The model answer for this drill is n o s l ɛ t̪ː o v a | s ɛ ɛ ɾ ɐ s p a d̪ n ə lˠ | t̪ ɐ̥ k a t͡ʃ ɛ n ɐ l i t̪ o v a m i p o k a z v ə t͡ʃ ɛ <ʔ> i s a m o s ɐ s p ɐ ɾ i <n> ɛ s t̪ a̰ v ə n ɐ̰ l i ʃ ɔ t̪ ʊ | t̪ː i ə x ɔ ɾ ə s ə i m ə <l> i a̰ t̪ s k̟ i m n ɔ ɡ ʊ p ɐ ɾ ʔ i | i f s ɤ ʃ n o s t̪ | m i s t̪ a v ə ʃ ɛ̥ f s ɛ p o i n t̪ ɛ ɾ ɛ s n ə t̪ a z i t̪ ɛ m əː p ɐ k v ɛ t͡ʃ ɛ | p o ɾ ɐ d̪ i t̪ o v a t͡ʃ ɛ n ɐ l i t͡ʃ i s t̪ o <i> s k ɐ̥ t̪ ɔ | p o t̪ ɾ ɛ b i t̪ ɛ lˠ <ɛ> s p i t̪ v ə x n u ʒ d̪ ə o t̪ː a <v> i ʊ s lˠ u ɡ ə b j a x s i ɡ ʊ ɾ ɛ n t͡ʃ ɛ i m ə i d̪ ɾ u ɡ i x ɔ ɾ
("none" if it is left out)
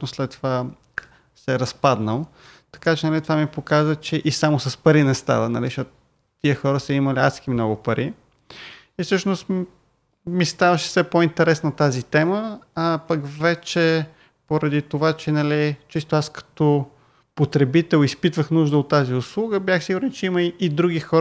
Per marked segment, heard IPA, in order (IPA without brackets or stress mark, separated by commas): ʔ, n, l, a, i, z